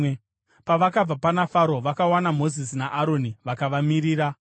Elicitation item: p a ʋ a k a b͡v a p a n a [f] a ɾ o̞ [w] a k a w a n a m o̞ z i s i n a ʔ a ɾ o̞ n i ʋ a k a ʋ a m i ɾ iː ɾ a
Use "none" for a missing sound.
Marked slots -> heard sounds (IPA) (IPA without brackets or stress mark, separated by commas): f, ʋ